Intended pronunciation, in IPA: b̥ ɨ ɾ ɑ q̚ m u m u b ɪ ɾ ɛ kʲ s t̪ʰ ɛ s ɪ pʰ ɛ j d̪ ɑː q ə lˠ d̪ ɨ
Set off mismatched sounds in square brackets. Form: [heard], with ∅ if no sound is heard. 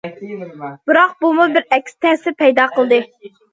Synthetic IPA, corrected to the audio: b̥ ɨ ɾ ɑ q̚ [b] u m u b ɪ ɾ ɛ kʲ s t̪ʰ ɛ s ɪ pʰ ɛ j d̪ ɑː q ə lˠ d̪ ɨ